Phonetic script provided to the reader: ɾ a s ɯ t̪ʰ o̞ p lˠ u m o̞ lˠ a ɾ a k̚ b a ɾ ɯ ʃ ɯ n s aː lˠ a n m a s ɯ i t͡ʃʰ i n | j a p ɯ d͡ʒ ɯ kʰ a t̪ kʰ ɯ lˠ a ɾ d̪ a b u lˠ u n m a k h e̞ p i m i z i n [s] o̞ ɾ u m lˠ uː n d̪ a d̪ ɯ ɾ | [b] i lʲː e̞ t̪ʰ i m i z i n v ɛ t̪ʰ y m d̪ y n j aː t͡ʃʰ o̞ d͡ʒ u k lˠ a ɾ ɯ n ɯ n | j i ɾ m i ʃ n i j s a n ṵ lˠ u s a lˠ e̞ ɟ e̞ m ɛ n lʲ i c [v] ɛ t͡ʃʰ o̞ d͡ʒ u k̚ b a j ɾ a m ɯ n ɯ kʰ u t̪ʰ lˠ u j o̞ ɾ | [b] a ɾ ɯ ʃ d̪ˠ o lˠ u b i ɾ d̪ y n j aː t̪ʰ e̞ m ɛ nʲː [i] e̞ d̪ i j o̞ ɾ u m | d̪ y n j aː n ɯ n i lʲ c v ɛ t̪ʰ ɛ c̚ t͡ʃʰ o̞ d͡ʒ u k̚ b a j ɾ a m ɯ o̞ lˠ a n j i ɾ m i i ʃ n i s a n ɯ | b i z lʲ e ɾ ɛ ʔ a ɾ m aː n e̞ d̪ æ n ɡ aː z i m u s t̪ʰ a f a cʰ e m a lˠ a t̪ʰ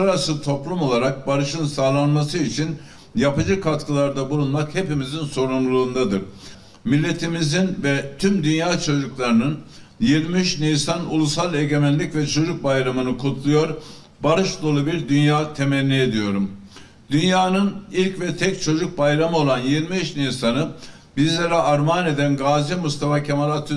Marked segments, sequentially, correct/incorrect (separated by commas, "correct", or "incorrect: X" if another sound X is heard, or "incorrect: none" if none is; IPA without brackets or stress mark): correct, incorrect: m, correct, correct, correct